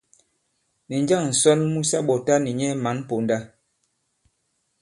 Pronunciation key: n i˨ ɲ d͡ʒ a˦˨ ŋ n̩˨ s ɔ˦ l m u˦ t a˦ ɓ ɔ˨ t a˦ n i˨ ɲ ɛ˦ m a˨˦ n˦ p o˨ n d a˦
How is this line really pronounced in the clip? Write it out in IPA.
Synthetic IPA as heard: n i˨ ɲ d͡ʒ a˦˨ ŋ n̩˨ s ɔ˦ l m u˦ s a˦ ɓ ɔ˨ t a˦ n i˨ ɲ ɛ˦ m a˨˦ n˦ p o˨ n d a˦

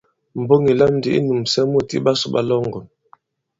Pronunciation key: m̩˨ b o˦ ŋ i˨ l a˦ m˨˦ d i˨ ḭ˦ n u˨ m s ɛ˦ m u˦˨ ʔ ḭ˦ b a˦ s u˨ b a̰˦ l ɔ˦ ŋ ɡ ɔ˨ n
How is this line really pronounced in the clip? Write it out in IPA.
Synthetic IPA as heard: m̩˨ b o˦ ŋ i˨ l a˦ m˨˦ d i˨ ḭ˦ n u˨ m s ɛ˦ m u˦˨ t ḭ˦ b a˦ s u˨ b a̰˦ l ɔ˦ ŋ ɡ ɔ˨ n

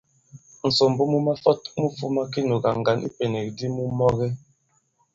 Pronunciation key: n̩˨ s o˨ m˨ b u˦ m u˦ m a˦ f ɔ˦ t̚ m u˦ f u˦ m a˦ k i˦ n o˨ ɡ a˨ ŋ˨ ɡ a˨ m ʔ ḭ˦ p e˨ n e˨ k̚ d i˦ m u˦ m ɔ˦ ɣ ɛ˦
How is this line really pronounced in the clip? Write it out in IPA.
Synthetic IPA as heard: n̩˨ s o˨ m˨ b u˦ m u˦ m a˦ f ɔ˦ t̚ m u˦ f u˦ m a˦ k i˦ n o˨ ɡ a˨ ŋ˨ ɡ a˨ n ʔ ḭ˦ p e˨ n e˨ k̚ d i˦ m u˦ m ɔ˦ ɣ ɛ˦

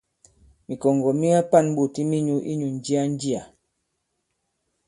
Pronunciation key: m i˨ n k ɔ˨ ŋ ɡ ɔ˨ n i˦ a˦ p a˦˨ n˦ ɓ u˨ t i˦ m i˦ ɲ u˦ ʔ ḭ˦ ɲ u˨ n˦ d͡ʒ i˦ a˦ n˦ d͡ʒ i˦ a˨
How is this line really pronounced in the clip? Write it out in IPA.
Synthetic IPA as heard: m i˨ k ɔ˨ ŋ ɡ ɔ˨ m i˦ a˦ p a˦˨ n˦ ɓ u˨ t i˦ m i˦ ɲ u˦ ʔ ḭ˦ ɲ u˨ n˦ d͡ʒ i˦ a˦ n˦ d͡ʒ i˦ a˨

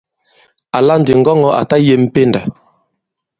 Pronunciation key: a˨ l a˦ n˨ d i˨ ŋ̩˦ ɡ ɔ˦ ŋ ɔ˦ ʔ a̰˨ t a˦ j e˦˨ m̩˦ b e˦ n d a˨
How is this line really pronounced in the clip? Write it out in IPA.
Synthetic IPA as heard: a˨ l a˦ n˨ d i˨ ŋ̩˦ ɡ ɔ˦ ŋ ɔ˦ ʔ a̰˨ t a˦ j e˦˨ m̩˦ p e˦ n d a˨

